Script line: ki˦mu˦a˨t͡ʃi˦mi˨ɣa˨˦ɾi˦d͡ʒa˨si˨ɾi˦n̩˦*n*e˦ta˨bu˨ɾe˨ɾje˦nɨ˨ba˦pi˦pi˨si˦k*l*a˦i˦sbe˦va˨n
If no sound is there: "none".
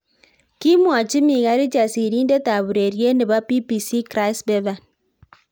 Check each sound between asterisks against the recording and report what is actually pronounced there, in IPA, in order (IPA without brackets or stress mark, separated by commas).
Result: d, ɾ